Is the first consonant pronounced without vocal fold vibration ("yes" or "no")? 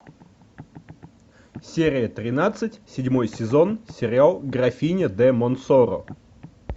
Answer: yes